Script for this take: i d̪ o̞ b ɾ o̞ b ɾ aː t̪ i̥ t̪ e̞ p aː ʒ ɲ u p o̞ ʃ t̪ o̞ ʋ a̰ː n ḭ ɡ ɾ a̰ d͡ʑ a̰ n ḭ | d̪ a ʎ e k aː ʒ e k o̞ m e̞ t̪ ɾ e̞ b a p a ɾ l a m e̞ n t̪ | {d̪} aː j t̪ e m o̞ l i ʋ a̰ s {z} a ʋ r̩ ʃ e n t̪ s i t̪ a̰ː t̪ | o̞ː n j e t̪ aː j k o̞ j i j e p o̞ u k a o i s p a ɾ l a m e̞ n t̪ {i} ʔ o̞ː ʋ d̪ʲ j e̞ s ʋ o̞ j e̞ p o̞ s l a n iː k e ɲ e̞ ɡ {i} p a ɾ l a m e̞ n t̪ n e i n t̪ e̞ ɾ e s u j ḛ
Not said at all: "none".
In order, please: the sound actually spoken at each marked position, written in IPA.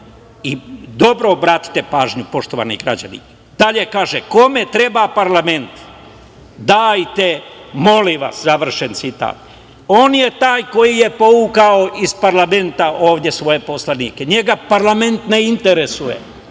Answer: d̪, z, a, a

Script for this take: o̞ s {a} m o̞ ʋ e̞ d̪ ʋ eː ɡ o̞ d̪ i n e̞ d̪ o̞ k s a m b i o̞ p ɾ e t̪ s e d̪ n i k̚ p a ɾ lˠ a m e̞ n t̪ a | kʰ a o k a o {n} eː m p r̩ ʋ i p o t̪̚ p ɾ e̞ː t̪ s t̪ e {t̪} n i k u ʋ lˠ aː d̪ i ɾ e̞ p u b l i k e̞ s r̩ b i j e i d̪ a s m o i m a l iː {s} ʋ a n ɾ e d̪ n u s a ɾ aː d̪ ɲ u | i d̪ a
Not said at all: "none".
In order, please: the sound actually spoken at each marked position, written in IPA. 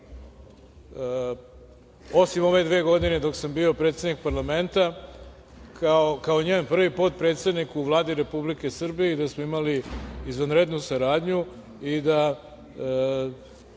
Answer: i, ɲ, d̪, z

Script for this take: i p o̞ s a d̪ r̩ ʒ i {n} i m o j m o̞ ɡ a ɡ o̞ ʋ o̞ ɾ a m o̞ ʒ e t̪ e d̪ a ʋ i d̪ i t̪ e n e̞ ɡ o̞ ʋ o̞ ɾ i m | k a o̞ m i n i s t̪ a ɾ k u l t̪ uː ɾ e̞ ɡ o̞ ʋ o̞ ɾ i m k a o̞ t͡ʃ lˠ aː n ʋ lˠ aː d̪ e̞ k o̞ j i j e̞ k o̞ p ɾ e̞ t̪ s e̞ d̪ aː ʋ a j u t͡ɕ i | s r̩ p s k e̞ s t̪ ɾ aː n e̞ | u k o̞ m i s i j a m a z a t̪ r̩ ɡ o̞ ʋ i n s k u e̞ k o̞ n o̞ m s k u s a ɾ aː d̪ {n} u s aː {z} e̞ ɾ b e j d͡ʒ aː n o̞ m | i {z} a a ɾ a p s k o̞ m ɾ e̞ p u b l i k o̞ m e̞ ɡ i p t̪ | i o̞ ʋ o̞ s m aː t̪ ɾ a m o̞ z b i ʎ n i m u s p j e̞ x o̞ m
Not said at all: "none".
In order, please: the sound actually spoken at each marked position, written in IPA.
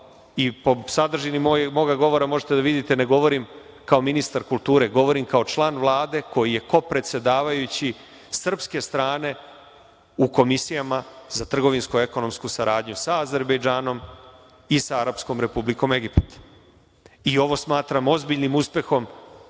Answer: n, ɲ, z, s

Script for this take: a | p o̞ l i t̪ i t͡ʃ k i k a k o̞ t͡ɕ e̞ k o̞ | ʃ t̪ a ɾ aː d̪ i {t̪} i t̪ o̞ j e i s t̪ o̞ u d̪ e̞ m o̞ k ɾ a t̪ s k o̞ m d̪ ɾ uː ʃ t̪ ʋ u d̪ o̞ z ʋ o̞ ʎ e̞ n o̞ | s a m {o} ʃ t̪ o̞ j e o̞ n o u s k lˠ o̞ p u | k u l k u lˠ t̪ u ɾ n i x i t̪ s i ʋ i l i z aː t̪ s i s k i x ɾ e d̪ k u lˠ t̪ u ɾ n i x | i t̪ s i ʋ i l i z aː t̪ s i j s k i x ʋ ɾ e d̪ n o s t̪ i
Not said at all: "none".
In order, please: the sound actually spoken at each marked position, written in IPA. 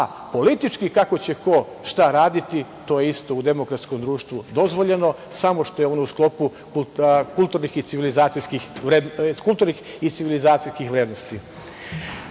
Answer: t̪, o

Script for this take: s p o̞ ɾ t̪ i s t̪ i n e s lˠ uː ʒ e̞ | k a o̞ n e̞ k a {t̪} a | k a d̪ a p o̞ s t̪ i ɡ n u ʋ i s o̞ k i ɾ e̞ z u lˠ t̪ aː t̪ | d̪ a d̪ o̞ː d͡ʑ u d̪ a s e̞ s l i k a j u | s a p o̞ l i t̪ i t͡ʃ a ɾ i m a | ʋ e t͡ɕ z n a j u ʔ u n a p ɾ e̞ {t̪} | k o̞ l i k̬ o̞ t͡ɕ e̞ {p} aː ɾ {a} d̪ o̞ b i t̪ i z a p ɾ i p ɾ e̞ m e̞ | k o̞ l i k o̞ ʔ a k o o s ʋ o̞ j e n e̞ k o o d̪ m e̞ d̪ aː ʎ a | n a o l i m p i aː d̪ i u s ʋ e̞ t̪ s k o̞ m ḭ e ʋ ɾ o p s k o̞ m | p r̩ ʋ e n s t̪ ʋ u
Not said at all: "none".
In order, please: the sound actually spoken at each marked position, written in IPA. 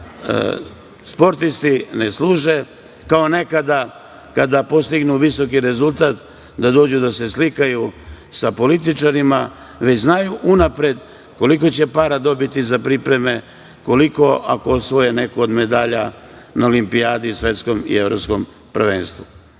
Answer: d̪, d̪, p, a

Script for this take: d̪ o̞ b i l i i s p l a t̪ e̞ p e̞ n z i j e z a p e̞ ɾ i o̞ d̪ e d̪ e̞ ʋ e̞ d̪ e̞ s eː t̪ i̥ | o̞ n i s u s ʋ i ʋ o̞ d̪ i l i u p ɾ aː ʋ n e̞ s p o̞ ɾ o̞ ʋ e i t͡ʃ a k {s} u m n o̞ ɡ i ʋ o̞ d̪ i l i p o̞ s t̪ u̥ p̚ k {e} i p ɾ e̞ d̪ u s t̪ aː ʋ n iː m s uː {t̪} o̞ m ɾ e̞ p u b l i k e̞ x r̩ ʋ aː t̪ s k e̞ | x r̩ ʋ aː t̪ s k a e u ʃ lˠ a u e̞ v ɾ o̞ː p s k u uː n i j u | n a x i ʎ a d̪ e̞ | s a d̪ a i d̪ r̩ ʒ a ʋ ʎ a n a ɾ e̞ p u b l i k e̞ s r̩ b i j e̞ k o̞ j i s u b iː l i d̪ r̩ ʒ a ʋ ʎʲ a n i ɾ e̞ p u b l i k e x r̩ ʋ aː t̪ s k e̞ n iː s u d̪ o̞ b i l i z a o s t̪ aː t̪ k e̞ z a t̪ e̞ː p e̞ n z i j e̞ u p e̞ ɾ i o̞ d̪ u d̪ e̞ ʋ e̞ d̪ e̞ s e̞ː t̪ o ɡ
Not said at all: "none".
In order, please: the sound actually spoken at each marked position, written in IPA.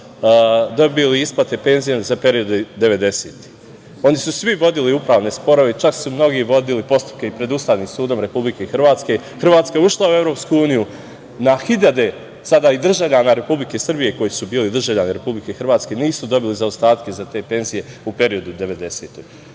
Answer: s, e, d̪

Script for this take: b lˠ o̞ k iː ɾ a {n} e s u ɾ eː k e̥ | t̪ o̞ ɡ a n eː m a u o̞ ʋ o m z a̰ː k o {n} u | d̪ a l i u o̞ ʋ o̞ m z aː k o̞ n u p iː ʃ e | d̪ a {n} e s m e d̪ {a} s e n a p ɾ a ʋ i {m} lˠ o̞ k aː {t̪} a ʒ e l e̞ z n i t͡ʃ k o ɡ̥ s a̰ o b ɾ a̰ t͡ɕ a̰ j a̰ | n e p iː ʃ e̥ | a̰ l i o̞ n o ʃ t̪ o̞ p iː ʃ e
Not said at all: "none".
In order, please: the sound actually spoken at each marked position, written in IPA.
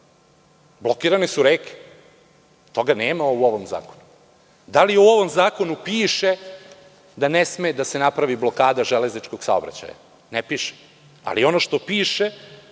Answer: n, n, n, a, b, d̪

